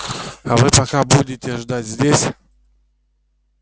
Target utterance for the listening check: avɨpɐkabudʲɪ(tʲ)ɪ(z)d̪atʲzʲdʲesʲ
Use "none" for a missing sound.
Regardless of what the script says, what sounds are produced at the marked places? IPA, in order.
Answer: tʲ, ʐ

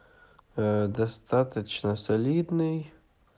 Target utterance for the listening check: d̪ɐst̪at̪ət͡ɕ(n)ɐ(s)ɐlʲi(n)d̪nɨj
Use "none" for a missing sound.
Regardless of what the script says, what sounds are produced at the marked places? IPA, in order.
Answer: n, s, none

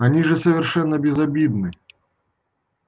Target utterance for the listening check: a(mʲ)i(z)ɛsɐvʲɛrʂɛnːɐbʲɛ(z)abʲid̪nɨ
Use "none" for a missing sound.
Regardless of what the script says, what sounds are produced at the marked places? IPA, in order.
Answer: nʲ, ʐ, z

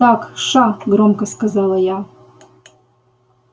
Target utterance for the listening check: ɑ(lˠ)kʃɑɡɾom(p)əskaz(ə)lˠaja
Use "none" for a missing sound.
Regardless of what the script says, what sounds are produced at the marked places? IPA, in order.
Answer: none, k, ɑ

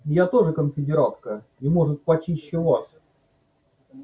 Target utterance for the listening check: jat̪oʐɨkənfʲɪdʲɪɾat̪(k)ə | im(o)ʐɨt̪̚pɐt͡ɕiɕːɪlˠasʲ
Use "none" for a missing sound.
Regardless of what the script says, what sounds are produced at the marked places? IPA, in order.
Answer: k, o

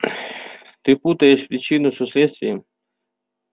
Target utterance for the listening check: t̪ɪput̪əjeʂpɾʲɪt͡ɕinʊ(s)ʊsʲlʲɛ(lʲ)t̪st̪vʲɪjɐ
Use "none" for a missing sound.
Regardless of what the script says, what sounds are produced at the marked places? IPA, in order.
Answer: s, none

